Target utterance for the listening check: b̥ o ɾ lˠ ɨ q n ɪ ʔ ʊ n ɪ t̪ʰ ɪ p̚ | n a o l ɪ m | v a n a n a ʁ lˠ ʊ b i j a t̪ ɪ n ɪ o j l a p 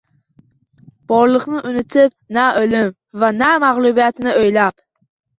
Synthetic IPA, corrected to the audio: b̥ ɒ ɾ lˠ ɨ q n ɪ ʔ ʊ n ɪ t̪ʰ ɪ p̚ | n a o l ɪ m | v a n a m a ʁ lˠ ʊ b i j a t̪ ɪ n ɪ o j l a p